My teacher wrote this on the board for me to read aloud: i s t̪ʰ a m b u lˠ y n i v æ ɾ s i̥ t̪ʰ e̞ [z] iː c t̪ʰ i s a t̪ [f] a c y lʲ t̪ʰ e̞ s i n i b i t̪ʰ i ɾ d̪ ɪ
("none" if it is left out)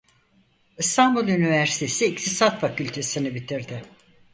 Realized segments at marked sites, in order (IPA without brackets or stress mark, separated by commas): s, f